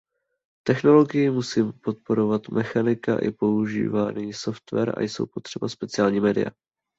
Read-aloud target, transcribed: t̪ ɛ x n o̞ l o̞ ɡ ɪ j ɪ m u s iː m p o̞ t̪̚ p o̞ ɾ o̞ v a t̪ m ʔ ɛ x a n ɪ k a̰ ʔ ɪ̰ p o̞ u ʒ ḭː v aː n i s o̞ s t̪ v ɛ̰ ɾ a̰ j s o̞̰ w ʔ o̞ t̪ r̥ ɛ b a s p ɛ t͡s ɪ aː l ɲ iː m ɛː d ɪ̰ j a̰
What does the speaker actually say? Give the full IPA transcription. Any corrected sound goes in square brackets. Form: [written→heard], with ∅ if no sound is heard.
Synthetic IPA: t̪ ɛ x n o̞ l o̞ ɡ ɪ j ɪ m u s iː m p o̞ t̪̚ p o̞ ɾ o̞ v a t̪ m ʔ ɛ x a n ɪ k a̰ ʔ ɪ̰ p o̞ u ʒ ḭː v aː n i s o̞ [s→f] t̪ v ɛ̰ ɾ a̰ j s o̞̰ w [ʔ→p] o̞ t̪ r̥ ɛ b a s p ɛ t͡s ɪ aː l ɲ iː m ɛː d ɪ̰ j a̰